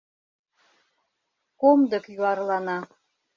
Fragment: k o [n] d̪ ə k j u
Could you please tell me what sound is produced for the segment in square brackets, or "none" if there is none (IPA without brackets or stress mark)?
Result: m